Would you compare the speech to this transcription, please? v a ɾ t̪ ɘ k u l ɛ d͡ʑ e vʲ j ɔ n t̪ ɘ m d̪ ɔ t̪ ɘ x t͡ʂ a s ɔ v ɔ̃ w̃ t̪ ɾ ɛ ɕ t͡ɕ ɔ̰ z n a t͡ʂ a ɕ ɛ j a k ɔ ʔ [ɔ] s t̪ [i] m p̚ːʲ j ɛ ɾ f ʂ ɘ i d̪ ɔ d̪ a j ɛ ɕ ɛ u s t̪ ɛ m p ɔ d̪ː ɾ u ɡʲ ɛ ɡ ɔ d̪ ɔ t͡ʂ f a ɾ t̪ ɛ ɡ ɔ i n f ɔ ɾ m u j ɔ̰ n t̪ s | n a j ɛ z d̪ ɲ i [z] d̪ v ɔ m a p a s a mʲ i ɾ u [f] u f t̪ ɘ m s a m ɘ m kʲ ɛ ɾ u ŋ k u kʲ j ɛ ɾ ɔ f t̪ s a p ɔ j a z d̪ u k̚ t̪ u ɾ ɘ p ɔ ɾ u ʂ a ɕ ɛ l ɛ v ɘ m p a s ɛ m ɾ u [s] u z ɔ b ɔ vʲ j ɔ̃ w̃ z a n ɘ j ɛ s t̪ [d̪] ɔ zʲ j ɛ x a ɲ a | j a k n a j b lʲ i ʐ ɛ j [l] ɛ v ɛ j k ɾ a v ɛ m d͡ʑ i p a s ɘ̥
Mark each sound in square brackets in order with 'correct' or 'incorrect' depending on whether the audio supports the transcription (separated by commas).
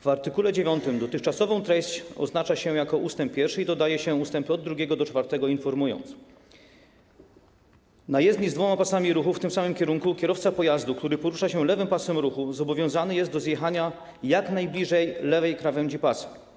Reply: incorrect, incorrect, correct, incorrect, incorrect, correct, correct